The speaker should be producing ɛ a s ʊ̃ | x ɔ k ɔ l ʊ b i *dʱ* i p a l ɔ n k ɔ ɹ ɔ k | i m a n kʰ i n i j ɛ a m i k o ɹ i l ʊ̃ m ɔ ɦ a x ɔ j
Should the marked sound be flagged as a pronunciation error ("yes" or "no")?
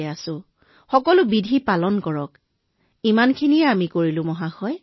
no